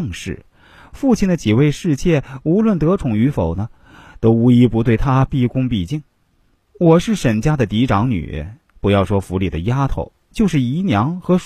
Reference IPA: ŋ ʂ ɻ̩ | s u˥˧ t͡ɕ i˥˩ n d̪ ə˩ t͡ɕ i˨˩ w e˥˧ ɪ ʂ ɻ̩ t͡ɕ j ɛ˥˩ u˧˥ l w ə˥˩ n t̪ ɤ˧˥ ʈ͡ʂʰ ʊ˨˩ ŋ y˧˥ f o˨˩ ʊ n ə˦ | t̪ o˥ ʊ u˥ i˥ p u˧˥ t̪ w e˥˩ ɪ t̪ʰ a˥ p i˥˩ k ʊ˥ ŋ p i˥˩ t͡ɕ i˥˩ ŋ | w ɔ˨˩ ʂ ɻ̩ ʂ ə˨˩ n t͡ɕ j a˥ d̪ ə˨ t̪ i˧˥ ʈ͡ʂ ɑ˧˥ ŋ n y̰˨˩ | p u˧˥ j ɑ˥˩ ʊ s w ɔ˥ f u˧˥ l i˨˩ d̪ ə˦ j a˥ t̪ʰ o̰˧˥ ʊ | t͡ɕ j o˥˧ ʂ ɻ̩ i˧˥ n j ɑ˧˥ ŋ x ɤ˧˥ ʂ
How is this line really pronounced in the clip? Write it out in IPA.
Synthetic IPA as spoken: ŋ ʂ ɻ̩ | f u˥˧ t͡ɕʰ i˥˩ n d̪ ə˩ t͡ɕ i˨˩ w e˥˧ ɪ ʂ ɻ̩ t͡ɕ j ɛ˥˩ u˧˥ l w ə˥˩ n t̪ ɤ˧˥ ʈ͡ʂʰ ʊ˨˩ ŋ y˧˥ f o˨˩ ʊ n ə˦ | t̪ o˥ ʊ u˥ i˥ p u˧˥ t̪ w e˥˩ ɪ t̪ʰ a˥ p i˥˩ k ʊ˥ ŋ p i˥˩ t͡ɕ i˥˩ ŋ | w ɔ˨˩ ʂ ɻ̩ ʂ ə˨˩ n t͡ɕ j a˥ d̪ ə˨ t̪ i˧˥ ʈ͡ʂ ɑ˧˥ ŋ n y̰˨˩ | p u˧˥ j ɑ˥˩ ʊ ʂ w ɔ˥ f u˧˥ l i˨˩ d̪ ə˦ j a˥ t̪ʰ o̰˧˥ ʊ | t͡ɕ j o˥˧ ʂ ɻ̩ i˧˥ n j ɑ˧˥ ŋ x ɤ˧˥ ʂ